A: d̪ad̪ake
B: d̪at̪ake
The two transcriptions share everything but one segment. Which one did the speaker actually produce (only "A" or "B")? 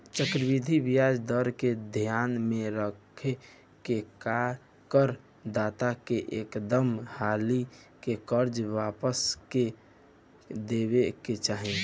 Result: B